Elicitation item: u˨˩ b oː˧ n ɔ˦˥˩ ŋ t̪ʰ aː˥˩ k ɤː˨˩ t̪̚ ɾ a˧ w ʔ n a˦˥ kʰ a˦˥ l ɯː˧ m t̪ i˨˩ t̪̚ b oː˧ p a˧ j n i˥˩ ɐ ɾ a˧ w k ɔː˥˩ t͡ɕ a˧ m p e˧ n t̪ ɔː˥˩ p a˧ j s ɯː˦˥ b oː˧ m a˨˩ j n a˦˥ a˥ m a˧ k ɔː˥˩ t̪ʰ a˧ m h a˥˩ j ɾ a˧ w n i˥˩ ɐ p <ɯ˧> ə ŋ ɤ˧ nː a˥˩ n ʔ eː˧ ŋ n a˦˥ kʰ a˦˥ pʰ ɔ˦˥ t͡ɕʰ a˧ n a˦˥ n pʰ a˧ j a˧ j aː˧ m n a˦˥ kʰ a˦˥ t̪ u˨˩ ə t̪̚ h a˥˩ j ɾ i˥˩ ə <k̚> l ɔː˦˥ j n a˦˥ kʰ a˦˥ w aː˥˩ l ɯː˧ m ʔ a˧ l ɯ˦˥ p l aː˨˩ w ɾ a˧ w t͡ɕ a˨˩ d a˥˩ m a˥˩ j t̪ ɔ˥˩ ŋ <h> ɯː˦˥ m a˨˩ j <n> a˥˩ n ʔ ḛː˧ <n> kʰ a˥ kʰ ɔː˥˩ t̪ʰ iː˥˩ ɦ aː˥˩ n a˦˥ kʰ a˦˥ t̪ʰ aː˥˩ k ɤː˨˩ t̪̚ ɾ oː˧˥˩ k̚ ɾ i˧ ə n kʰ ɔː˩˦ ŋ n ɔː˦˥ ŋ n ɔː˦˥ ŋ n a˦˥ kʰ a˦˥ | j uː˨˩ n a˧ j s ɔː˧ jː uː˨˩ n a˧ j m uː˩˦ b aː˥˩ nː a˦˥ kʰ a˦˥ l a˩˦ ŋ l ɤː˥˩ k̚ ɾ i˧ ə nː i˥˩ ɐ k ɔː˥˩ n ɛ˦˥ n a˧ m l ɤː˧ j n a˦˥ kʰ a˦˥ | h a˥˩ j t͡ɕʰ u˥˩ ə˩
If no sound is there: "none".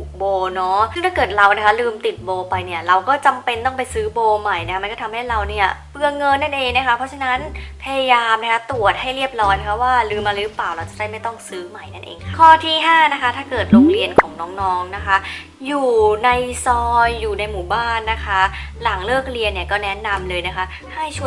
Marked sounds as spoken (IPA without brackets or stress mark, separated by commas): ɯ˧, p̚, s, n, ŋ